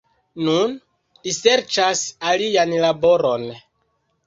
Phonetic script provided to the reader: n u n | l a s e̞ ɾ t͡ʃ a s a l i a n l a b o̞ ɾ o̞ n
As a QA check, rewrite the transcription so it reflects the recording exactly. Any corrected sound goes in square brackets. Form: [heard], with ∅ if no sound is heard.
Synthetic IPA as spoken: n u n | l [i] s e̞ ɾ t͡ʃ a s a l i a n l a b o̞ ɾ o̞ n